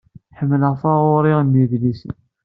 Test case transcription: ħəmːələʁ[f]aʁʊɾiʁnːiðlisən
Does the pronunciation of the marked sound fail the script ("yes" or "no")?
no